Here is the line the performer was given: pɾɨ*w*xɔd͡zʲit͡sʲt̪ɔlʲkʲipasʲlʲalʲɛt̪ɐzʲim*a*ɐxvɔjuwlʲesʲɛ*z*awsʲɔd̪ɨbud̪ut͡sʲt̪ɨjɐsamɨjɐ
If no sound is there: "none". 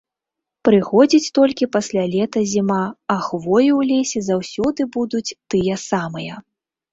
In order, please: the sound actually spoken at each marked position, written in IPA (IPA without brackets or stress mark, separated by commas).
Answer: none, a, z